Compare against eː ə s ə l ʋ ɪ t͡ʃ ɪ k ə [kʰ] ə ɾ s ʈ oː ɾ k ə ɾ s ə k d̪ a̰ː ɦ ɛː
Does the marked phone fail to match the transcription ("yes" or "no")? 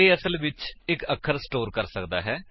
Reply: no